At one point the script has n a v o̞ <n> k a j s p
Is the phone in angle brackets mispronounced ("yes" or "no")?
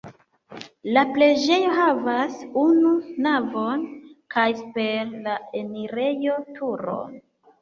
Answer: no